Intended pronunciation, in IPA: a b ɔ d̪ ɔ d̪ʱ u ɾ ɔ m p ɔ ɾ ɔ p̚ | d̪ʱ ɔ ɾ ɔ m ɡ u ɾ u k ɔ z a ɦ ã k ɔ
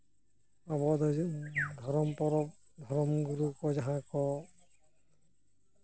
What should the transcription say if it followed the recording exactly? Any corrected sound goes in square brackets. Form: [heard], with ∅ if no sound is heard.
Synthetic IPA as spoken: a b ɔ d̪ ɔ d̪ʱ [ɔ] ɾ ɔ m p ɔ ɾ ɔ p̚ | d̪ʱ ɔ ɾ ɔ m ɡ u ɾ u k ɔ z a ɦ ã k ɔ

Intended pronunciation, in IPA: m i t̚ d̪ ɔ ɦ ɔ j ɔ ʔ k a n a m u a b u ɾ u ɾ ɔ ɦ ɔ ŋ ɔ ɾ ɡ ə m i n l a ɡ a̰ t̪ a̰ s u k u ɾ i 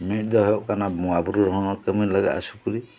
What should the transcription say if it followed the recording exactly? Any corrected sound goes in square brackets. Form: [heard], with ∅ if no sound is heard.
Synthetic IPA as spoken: m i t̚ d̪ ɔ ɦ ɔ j ɔ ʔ k a n a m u a b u ɾ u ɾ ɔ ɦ ɔ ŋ ɔ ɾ [k] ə m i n l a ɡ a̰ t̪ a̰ s u k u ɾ i

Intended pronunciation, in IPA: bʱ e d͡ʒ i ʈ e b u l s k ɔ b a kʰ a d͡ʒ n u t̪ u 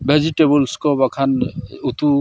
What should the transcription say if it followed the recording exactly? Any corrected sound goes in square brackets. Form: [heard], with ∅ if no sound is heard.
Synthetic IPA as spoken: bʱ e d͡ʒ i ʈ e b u l s k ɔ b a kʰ a [∅] n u t̪ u

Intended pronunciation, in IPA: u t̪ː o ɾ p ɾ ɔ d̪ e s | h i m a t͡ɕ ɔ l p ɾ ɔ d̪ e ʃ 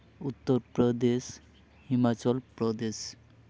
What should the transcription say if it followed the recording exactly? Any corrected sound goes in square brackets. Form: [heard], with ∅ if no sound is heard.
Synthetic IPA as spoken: u t̪ː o ɾ p ɾ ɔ d̪ e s | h i m a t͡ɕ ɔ l p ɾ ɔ d̪ e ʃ

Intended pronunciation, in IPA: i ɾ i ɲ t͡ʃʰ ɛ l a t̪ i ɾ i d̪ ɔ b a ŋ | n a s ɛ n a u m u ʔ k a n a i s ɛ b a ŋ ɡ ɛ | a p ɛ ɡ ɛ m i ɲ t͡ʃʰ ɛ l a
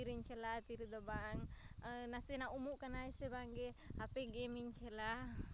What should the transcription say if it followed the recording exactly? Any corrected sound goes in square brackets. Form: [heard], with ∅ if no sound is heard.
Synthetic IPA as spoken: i ɾ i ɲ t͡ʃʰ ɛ l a t̪ i ɾ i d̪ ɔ b a ŋ | n a s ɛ n a u m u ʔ k a n a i s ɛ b a ŋ ɡ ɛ | a p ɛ ɡ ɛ m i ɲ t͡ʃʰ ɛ l a

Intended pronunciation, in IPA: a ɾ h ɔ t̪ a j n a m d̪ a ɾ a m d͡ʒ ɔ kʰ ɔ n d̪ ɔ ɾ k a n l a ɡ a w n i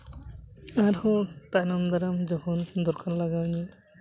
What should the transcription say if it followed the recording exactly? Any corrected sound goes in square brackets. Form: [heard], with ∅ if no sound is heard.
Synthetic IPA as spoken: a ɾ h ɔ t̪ a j n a m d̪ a ɾ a m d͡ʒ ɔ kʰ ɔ n d̪ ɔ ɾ k a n l a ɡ a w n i

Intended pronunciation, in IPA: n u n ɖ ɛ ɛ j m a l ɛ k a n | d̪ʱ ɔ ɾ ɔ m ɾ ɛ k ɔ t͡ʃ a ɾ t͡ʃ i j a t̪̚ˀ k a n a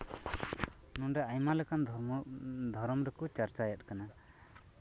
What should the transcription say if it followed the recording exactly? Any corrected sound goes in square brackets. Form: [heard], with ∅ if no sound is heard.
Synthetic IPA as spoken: n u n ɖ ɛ [a] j m a l ɛ k a n | d̪ʱ ɔ ɾ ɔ m ɾ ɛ k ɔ t͡ʃ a ɾ t͡ʃ [a] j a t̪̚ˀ k a n a

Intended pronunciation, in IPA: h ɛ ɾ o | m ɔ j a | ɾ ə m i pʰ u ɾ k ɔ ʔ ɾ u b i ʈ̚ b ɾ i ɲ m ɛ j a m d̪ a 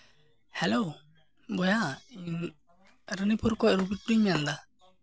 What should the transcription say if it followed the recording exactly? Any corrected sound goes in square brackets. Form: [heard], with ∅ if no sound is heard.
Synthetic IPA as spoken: h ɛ [l] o | [b] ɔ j a | ɾ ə [n] i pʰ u ɾ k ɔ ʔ ɾ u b i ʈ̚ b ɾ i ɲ m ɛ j a [n] d̪ a

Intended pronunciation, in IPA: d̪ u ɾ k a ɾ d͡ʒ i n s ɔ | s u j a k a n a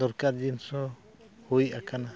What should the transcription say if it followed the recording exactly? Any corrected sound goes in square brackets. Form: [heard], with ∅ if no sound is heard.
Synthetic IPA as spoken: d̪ [ɔ] ɾ k a ɾ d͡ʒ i n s ɔ | [h] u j a k a n a

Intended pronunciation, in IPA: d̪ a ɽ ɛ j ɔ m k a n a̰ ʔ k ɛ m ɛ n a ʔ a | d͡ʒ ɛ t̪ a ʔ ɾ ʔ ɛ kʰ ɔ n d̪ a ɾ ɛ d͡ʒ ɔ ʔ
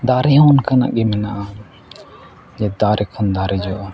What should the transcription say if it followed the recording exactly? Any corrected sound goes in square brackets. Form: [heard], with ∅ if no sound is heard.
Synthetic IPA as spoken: d̪ a [ɾ] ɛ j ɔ [n] k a n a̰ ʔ [ɡ] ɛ m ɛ n a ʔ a | d͡ʒ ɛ [d̪] a [∅] ɾ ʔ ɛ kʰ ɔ n d̪ a ɾ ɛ d͡ʒ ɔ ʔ

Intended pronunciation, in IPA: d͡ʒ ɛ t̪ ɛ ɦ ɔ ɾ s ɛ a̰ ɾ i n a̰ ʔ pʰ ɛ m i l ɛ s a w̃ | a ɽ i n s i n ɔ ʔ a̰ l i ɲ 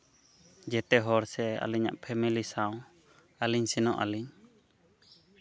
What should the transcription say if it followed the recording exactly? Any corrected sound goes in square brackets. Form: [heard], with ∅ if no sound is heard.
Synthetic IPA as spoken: d͡ʒ ɛ t̪ ɛ ɦ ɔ ɾ s ɛ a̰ [l] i [ɲ] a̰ ʔ pʰ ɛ m i l [i] s a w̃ | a [l] i [ɲ] s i n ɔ ʔ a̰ l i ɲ

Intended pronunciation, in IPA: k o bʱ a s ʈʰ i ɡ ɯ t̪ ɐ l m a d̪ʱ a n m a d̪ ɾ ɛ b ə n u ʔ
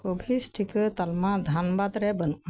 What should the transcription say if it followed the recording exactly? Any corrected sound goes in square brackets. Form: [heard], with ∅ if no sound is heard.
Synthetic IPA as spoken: k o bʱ [i] s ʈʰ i [k] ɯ t̪ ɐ l m a d̪ʱ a n [b] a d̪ ɾ ɛ b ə n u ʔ

